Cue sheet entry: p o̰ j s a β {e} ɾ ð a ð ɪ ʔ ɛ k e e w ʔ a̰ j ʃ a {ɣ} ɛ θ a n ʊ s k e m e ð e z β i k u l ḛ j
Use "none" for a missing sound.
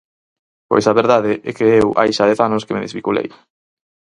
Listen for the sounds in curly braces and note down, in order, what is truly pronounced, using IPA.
e, ð

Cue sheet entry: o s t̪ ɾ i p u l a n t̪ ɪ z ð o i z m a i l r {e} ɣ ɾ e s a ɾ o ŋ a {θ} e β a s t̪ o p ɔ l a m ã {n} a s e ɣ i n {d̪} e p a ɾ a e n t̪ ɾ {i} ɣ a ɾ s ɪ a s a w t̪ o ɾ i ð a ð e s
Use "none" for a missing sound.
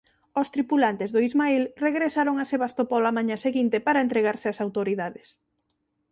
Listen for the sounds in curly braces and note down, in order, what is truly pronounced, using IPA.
e, s, ɲ, t̪, e

